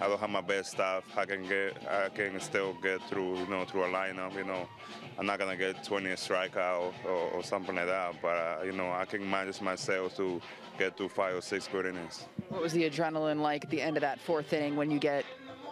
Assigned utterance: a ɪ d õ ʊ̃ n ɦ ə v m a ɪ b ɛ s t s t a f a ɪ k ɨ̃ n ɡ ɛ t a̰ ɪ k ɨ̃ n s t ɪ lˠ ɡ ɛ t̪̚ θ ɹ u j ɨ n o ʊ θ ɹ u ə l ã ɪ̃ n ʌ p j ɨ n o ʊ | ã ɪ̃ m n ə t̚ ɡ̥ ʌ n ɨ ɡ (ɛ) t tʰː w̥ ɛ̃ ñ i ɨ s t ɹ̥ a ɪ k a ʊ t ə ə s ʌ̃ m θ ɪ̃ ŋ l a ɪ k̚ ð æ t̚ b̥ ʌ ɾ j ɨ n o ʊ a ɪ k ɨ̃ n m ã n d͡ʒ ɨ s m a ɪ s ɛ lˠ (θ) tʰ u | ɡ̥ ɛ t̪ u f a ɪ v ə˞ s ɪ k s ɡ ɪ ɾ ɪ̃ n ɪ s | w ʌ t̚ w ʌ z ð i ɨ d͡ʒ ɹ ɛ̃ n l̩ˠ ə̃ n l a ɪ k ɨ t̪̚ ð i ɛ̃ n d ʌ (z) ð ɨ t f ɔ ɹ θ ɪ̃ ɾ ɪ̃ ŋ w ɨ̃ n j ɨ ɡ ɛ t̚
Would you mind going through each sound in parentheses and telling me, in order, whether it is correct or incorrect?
correct, incorrect: f, incorrect: v

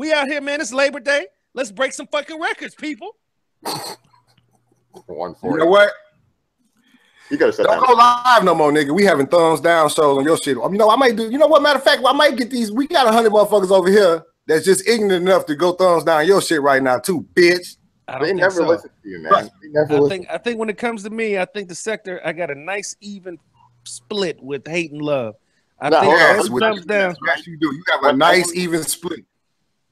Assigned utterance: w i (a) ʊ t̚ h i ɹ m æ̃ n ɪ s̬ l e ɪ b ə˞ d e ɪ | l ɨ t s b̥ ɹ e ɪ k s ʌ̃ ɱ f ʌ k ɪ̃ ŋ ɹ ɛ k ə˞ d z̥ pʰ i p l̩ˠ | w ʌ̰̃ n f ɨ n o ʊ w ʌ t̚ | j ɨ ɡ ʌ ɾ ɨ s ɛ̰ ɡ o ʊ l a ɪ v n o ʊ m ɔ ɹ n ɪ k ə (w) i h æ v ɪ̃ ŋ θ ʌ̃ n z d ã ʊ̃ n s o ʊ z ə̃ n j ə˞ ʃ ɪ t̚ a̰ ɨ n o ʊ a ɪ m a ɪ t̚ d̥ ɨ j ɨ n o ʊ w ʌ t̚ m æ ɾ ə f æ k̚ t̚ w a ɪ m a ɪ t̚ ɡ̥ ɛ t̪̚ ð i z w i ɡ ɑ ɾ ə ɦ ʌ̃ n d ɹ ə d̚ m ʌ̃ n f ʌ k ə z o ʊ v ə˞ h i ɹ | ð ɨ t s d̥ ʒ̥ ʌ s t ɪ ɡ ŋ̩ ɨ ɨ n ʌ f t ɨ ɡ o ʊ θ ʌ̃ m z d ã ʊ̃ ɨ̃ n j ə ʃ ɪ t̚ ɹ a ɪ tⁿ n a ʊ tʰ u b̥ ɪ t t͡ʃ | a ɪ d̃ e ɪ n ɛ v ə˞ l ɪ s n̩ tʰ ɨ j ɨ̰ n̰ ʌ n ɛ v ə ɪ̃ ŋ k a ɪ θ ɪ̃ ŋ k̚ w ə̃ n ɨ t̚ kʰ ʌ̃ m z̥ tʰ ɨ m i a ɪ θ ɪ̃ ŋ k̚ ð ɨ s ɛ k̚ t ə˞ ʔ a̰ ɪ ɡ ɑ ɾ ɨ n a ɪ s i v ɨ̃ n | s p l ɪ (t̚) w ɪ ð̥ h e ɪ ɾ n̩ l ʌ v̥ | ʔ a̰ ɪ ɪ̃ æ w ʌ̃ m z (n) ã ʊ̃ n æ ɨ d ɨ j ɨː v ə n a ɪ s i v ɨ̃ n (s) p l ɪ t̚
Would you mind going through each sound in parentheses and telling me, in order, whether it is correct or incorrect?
correct, correct, correct, incorrect: d, correct

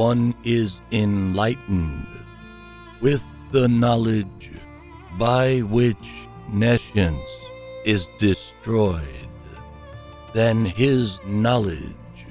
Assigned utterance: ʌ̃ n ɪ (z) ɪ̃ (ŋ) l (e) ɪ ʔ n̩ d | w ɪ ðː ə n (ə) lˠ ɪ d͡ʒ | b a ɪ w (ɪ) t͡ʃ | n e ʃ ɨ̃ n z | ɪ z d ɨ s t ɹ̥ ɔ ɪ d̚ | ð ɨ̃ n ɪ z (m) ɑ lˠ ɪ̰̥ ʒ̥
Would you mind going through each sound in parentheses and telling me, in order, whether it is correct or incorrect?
correct, incorrect: n, incorrect: a, incorrect: ɑ, correct, incorrect: n

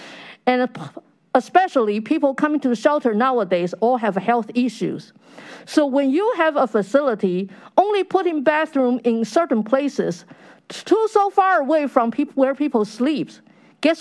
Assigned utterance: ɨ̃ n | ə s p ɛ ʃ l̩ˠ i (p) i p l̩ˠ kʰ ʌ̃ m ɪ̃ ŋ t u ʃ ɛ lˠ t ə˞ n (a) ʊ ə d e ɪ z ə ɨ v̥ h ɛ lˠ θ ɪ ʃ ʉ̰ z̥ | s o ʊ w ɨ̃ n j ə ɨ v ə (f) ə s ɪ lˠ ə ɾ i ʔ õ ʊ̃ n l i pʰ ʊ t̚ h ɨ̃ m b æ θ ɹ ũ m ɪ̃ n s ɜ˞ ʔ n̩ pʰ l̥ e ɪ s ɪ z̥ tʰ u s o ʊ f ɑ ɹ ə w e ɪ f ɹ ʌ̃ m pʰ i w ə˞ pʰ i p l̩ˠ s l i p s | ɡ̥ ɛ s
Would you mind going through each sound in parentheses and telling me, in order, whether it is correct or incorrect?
incorrect: pʰ, correct, correct

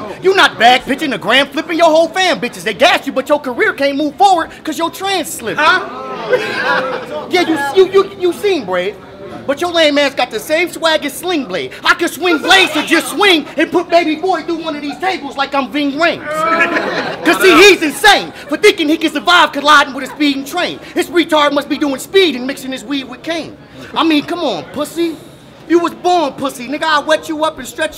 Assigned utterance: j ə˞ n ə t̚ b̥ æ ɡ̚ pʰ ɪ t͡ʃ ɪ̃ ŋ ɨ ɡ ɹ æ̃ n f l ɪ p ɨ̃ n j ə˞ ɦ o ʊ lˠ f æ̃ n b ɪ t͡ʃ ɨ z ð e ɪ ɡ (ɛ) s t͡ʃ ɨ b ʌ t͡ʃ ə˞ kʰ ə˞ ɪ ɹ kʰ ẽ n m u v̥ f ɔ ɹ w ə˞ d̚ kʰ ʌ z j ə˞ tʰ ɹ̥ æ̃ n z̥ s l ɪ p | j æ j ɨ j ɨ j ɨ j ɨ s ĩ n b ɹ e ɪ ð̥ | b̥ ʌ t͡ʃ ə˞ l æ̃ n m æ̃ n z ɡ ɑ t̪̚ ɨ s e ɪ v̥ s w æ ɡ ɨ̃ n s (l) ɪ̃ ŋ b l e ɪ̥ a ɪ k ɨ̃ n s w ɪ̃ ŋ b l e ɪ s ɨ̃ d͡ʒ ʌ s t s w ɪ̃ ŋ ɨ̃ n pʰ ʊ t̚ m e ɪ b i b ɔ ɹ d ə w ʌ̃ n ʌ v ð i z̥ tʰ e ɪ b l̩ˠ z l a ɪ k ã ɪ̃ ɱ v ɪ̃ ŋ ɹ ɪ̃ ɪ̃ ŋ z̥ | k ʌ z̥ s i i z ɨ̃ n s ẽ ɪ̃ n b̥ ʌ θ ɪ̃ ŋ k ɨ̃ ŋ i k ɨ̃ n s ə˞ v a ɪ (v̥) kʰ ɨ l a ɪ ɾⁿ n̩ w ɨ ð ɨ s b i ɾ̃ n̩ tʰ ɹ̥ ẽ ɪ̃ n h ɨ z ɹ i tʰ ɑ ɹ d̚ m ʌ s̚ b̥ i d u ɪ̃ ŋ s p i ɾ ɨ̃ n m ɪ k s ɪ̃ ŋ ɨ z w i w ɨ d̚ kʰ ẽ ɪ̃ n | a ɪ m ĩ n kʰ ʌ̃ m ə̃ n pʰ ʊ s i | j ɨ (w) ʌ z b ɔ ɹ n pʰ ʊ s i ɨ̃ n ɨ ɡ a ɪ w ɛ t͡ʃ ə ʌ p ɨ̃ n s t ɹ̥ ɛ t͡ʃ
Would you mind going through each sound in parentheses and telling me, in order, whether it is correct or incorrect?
incorrect: æ, correct, correct, correct

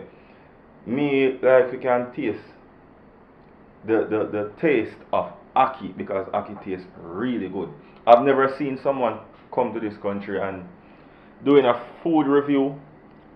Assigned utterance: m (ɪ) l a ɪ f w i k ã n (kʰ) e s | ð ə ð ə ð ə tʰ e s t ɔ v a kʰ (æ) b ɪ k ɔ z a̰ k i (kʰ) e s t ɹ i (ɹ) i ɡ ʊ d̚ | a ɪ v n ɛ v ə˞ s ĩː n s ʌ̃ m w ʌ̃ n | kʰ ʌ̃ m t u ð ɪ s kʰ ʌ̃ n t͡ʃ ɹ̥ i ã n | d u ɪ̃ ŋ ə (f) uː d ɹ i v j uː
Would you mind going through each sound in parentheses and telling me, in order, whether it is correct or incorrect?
incorrect: i, incorrect: tʰ, incorrect: i, incorrect: tʰ, incorrect: l, correct

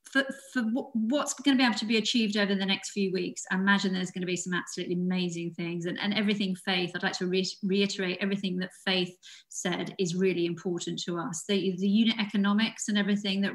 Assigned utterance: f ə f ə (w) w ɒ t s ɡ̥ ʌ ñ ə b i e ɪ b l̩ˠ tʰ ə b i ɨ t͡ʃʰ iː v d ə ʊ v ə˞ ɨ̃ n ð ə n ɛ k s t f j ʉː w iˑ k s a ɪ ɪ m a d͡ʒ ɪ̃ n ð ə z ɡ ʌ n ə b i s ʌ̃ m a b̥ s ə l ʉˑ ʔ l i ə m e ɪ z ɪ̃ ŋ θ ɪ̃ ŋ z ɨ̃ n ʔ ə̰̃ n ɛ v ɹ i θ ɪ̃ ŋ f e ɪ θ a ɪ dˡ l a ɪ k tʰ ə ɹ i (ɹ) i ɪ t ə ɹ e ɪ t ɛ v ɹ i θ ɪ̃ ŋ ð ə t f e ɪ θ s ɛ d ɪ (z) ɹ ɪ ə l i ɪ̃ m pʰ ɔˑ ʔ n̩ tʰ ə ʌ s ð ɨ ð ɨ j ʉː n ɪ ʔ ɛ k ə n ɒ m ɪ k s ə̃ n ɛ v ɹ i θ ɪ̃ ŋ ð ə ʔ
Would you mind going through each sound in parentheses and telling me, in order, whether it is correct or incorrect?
correct, correct, correct

